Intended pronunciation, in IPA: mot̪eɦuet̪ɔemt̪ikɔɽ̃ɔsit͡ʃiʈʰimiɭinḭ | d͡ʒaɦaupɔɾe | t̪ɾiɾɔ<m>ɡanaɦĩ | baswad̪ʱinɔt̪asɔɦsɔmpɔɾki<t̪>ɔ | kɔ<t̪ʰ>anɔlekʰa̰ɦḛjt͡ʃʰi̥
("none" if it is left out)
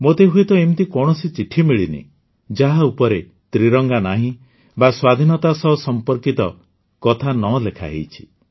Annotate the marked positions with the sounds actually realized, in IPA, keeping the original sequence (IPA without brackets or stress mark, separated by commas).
ŋ, t̪, t̪ʰ